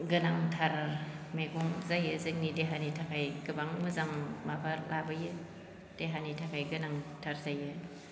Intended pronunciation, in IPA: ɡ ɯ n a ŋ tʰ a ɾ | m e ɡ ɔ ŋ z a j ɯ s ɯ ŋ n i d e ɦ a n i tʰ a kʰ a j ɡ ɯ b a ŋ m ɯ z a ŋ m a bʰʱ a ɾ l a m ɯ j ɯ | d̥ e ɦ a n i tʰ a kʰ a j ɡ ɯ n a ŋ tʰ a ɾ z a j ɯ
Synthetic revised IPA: ɡ ɯ n a ŋ tʰ a ɾ | m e ɡ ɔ ŋ z a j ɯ z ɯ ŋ n i d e ɦ a n i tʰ a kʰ a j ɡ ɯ b a ŋ m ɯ z a ŋ m a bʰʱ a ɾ l a b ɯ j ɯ | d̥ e ɦ a n i tʰ a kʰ a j ɡ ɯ n a ŋ tʰ a ɾ z a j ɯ